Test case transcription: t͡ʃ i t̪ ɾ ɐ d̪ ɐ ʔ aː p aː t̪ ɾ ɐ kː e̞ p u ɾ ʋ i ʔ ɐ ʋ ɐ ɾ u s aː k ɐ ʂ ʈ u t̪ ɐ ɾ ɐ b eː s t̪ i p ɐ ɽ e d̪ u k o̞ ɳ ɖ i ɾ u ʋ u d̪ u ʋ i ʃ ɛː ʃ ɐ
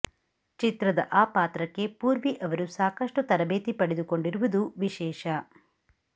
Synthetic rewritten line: t͡ʃ i t̪ ɾ ɐ d̪ ɐ ʔ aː p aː t̪ ɾ ɐ kː e̞ p uː ɾ ʋ i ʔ ɐ ʋ ɐ ɾ u s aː k ɐ ʂ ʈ u t̪ ɐ ɾ ɐ b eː t̪ i p ɐ ɽ e d̪ u k o̞ ɳ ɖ i ɾ u ʋ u d̪ u ʋ i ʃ ɛː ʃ ɐ